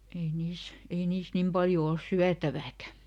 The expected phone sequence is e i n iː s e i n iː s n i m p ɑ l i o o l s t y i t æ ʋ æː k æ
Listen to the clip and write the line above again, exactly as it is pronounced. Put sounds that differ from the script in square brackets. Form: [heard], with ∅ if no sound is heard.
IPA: e i n iː s e i n iː s n i m p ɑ l [j] o o l s [s] y [æ] t æ ʋ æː k æ